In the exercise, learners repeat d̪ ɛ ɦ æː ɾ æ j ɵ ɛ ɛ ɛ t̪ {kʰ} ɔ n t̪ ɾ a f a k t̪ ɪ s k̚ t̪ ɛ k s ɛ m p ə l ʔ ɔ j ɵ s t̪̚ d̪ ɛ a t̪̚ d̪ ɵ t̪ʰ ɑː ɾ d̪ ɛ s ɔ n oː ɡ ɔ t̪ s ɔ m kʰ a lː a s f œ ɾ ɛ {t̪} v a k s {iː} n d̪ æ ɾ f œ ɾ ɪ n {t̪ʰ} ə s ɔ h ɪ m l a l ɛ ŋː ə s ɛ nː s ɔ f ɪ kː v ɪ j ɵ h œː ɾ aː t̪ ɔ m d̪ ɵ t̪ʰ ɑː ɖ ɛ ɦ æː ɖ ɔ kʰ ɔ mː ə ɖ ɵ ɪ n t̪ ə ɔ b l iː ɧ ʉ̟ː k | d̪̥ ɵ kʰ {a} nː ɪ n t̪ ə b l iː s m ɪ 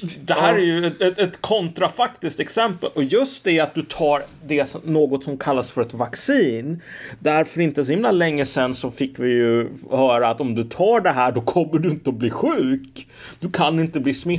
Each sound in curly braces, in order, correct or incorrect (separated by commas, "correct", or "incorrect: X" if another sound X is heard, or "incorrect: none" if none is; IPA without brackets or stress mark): correct, correct, correct, incorrect: t̪, correct